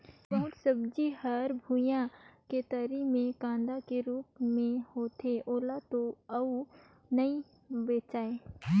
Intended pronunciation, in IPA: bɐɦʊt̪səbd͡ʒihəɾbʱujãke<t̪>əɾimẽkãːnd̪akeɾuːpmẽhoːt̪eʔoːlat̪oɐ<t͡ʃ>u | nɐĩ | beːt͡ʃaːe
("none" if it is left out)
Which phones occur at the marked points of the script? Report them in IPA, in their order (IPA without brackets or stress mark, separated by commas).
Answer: t̪, none